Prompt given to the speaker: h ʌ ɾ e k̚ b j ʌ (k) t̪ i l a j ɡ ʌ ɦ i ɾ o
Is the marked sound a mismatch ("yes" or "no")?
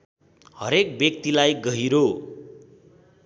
no